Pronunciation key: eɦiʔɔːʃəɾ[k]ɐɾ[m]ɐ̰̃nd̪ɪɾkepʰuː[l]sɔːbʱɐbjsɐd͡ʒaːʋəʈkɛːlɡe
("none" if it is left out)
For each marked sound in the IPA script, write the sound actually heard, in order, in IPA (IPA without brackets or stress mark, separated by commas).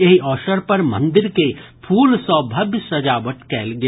p, m, l